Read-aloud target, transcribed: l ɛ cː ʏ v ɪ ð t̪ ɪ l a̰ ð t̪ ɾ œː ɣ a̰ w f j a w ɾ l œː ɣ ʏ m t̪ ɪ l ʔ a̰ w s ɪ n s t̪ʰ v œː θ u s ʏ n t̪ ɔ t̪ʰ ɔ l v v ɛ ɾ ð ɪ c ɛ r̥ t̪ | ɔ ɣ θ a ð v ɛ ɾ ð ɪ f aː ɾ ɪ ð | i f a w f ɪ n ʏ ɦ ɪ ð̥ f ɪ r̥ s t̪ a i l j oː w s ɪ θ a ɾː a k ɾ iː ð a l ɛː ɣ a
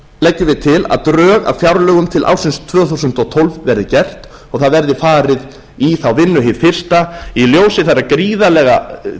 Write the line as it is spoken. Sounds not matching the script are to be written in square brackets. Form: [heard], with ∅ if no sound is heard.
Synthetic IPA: l ɛ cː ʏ v ɪ ð [t̪ʰ] ɪ l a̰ ð t̪ ɾ œː ɣ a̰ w f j a w ɾ l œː ɣ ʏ m [t̪ʰ] ɪ l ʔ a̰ w s ɪ n s t̪ʰ v œː θ u s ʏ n t̪ ɔ t̪ʰ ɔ l v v ɛ ɾ ð ɪ c ɛ r̥ t̪ | ɔ ɣ θ a ð v ɛ ɾ ð ɪ f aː ɾ ɪ ð | i [θ] a w [v] ɪ [nː] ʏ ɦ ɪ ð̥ f ɪ r̥ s t̪ a i l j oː w s ɪ θ a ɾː a k ɾ iː ð a l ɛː ɣ a